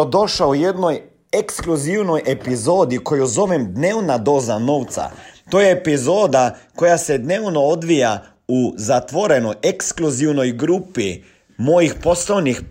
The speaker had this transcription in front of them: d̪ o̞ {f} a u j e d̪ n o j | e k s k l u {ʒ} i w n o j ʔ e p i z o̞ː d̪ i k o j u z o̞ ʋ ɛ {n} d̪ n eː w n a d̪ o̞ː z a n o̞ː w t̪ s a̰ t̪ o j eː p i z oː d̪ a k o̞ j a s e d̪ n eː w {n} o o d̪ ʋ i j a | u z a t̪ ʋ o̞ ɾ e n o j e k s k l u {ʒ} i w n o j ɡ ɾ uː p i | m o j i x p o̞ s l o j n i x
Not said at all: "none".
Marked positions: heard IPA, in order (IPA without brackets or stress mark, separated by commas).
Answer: ʃ, z, m, n, z